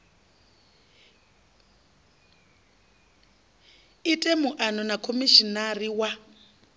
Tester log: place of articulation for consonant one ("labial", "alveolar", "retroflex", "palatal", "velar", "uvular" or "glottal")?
alveolar